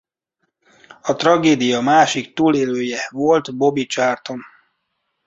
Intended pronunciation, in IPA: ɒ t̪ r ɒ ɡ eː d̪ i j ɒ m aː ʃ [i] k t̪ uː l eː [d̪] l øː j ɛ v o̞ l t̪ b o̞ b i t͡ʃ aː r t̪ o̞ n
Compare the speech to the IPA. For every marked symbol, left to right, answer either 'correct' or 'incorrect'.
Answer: correct, incorrect

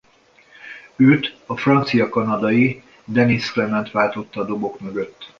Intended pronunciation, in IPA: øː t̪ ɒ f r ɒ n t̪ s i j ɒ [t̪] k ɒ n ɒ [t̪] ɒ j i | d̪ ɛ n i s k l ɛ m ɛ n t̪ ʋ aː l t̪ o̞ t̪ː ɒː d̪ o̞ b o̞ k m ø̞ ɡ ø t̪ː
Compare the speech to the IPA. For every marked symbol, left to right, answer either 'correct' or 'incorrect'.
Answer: incorrect, incorrect

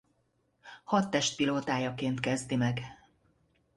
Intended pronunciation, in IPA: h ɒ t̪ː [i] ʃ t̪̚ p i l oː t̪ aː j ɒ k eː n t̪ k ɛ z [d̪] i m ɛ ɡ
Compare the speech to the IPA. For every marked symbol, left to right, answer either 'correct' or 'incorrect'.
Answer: incorrect, correct

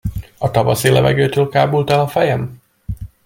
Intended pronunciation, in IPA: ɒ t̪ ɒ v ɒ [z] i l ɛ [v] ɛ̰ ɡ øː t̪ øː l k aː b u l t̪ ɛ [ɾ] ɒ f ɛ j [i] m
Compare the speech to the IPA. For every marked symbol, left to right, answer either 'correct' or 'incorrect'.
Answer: incorrect, correct, incorrect, incorrect

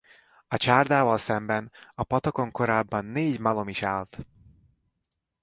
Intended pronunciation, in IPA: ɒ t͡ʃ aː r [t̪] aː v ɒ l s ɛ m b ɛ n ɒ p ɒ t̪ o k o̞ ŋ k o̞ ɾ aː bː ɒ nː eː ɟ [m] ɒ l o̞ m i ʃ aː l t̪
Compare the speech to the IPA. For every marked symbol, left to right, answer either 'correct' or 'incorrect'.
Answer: incorrect, correct

